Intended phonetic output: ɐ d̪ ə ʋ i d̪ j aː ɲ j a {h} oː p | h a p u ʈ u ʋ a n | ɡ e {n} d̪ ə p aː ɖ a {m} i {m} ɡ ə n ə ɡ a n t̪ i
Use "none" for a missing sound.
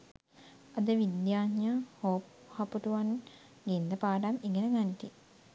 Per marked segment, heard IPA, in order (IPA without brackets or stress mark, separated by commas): h, n, m, ŋ